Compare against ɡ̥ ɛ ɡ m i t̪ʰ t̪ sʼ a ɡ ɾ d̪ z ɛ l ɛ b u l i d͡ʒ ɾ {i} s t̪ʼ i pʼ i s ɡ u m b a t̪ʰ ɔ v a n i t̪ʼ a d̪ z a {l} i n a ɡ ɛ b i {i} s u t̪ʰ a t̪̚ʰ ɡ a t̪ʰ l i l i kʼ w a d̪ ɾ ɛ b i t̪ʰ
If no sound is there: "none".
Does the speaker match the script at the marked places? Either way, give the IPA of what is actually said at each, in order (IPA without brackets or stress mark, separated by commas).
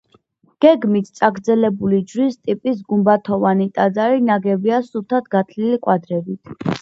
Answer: i, ɾ, a